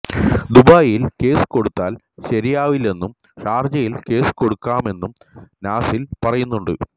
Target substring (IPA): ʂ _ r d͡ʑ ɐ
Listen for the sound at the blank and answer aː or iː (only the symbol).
aː